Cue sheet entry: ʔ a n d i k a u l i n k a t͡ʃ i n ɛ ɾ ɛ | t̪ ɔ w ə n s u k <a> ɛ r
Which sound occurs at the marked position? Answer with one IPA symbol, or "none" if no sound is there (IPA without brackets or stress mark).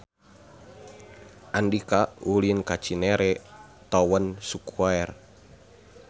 a